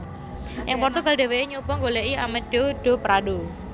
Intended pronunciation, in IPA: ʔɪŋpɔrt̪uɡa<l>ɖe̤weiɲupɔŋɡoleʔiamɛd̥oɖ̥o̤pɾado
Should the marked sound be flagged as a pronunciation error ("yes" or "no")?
no